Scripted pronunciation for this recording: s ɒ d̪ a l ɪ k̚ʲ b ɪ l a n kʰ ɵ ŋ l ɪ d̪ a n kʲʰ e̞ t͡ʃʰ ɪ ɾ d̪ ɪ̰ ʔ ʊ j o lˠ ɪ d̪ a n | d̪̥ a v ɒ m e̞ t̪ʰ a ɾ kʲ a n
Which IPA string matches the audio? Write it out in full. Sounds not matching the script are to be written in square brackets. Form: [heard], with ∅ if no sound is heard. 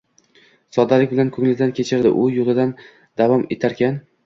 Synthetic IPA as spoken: s ɒ d̪ a l ɪ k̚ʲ b ɪ l a n kʰ ɵ ŋ l ɪ d̪ a n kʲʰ e̞ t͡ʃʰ ɪ ɾ d̪ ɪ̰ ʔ ʊ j o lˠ ɪ d̪ a n | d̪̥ a v ɒ m e̞ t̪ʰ a ɾ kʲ a n